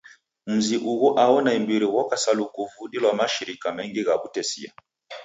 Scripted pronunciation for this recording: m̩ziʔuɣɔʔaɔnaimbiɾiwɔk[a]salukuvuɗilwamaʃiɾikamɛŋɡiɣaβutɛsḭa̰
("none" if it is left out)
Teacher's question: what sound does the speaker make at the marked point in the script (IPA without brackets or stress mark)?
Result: a